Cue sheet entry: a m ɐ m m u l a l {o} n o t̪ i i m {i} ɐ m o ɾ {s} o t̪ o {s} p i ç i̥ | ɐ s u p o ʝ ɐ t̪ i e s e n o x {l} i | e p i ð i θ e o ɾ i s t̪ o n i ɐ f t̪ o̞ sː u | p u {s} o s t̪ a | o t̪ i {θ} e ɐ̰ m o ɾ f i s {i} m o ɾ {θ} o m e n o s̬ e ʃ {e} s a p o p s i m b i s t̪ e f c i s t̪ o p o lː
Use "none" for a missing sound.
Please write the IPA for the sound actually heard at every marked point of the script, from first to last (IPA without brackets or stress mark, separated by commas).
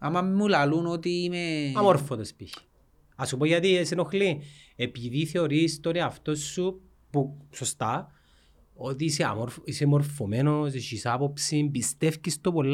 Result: u, e, f, s, l, s, s, e, f, i